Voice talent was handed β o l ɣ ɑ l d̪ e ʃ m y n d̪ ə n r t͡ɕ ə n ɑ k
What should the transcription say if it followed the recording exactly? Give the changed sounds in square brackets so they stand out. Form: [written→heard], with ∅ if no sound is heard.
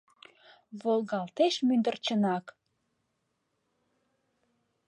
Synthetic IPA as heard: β o l ɣ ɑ l [d̪→t̪] e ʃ m y n d̪ ə [n→∅] r t͡ɕ ə n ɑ k